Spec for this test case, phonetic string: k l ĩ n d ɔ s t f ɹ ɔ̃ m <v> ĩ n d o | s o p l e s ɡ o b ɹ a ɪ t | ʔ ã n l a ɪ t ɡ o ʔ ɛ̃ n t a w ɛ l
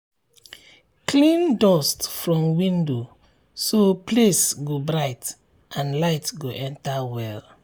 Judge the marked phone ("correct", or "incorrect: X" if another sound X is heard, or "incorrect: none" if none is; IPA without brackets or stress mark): incorrect: w